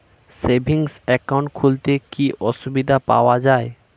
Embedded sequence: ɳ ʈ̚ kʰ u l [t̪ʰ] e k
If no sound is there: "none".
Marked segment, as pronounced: t̪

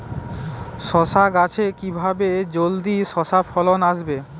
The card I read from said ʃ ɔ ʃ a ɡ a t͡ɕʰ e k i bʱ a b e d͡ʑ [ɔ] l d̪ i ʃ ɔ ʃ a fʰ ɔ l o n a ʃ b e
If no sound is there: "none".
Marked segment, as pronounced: o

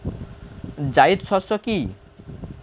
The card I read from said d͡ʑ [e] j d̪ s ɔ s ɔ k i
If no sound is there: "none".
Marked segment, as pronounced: a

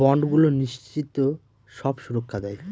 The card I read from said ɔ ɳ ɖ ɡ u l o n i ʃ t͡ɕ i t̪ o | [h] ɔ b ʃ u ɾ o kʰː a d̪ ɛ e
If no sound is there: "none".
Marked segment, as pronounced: ʃ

